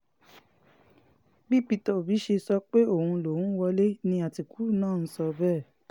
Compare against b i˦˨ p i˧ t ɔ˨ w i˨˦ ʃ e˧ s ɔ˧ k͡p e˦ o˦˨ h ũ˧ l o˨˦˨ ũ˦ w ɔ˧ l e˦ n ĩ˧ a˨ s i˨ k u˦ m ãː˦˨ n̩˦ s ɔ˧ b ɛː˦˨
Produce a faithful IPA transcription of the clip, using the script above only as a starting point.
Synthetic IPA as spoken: b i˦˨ p i˧ t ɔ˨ b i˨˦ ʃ e˧ s ɔ˧ k͡p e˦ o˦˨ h ũ˧ l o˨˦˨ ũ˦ w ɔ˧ l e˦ n ĩ˧ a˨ t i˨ k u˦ n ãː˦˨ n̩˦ s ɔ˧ b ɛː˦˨